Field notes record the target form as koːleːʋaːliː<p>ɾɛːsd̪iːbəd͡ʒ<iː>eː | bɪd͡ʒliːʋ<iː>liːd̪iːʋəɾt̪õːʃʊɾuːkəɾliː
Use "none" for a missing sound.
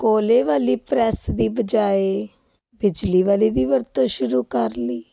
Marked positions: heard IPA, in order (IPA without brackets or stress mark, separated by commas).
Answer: p, aː, aː